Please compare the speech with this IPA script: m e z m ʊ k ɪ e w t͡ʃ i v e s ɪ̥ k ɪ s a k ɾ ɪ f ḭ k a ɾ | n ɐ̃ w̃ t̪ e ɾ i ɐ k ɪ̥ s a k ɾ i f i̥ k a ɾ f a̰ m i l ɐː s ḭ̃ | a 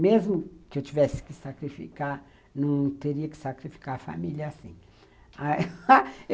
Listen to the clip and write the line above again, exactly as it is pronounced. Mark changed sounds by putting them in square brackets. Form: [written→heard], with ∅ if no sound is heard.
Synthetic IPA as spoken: m e z m ʊ k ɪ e w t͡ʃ i v [e→ɛ] s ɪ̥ k ɪ s a k ɾ [ɪ→i] f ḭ k a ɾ | n ɐ̃ w̃ t̪ e ɾ i ɐ k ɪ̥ s a k ɾ i f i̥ k a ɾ f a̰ m i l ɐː s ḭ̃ | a